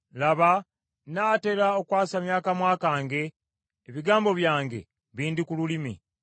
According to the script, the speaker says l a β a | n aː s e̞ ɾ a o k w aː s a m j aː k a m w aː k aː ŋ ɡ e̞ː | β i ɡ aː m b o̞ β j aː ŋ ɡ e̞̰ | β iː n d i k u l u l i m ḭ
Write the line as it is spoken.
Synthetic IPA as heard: l a β a | n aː t e̞ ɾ a o k w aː s a m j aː k a m w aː k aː ŋ ɡ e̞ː | β i ɡ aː m b o̞ β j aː ŋ ɡ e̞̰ | β iː n d i k u l u l i m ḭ